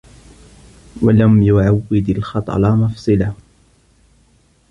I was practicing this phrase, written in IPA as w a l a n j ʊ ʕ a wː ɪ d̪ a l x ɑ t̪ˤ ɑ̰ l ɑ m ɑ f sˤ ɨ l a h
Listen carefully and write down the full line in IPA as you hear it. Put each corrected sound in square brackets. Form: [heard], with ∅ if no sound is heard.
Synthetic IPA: w a l a [m] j ʊ ʕ a wː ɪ d̪ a l x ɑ t̪ˤ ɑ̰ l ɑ m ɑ f sˤ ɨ l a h